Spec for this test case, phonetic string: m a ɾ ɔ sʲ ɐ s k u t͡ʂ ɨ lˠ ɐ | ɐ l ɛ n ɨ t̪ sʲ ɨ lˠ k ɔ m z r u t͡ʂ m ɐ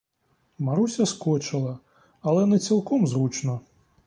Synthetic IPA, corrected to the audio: m a ɾ u sʲ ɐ s k ɔ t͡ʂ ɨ lˠ ɐ | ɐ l ɛ n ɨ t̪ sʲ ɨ lˠ k ɔ m z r u t͡ʂ n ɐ